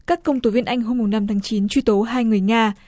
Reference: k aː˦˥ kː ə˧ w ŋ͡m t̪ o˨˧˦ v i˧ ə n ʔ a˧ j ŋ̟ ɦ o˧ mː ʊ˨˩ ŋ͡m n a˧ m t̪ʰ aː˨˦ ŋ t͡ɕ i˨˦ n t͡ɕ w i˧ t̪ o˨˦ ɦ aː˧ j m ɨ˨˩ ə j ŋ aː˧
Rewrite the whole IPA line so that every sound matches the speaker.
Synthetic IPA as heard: k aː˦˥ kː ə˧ w ŋ͡m t̪ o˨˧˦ v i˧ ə n ʔ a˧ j ŋ̟ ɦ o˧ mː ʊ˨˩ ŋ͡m n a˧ m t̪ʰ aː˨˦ ŋ t͡ɕ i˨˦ n t͡ɕ w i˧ t̪ o˨˦ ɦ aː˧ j ŋ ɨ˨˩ ə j ŋ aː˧